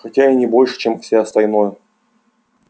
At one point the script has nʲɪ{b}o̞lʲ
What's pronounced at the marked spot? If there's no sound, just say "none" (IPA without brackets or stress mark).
b